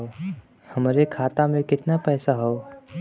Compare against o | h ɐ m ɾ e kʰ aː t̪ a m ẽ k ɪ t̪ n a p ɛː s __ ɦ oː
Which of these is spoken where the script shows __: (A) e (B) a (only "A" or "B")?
B